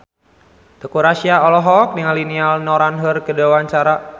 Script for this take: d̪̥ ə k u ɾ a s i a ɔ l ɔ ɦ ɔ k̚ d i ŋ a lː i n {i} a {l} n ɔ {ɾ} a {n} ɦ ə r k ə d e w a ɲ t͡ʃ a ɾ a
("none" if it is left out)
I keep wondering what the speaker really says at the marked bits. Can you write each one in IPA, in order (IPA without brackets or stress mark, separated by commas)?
i, l, ɾ, n